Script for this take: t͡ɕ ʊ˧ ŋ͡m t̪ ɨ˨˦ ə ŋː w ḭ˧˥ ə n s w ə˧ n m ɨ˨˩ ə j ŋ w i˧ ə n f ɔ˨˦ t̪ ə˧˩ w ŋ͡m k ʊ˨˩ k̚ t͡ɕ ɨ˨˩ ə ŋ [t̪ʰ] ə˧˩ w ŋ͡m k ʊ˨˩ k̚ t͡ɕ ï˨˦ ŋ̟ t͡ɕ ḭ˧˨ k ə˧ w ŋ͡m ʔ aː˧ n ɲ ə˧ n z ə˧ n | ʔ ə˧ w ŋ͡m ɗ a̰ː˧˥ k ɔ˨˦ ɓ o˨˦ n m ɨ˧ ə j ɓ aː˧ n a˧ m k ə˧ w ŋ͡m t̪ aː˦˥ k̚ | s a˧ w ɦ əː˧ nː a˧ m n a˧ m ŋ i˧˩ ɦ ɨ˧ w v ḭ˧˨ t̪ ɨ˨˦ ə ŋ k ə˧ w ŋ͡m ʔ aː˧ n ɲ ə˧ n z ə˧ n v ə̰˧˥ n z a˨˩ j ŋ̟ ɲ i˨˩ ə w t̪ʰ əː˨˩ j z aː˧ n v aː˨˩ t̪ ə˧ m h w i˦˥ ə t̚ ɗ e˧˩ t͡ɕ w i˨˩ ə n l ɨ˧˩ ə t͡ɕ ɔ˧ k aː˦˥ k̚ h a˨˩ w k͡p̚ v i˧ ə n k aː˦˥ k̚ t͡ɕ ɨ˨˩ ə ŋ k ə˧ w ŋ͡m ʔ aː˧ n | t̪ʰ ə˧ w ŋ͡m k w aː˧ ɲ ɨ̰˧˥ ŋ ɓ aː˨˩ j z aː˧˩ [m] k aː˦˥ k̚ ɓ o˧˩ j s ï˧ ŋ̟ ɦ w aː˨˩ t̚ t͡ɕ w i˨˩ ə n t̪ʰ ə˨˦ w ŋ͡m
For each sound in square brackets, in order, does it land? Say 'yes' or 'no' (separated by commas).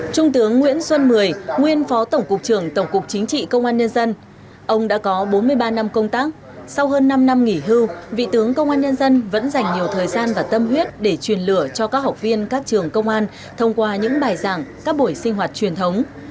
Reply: no, no